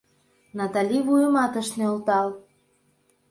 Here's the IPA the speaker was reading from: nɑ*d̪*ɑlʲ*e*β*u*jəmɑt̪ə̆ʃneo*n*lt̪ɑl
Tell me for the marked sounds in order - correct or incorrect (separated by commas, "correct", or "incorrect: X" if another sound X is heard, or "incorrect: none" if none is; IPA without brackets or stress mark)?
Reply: incorrect: t̪, incorrect: i, correct, incorrect: none